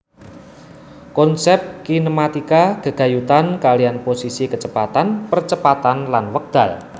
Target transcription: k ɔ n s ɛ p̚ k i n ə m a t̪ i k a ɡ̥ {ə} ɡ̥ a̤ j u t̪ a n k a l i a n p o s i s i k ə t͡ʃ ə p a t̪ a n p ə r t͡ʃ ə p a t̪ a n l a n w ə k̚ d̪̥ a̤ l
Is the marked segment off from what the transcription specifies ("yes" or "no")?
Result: no